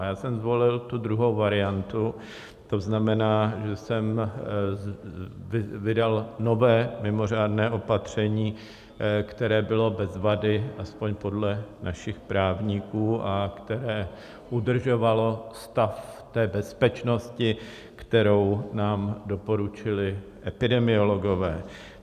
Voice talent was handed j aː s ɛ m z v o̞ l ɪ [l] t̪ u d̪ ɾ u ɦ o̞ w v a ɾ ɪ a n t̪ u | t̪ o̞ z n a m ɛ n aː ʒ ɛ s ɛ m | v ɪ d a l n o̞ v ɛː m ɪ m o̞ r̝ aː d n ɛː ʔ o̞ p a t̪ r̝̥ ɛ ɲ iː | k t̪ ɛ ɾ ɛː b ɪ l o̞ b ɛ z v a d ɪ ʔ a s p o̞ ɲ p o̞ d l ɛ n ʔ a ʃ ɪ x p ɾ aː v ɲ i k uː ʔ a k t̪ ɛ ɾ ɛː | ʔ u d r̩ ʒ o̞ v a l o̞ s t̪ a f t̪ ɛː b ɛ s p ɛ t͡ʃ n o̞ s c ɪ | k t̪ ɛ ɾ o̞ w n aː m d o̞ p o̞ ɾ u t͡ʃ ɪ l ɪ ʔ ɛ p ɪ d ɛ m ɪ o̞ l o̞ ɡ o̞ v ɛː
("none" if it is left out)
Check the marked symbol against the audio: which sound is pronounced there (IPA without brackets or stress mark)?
l